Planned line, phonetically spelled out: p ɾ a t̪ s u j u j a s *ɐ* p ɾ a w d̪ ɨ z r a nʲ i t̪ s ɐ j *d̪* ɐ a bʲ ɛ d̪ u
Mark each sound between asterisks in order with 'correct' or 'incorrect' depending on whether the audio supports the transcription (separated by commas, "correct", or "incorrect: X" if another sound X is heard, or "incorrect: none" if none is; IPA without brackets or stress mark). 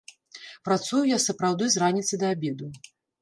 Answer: correct, correct